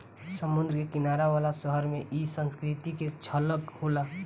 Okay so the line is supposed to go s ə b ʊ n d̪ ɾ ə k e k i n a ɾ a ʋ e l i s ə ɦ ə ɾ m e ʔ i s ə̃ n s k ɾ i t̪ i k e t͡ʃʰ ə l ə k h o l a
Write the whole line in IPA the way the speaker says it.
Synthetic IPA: s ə m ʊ n d̪ ɾ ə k e k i n a ɾ a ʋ a l a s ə ɦ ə ɾ m e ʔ i s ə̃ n s k ɾ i t̪ i k e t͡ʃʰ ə l ə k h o l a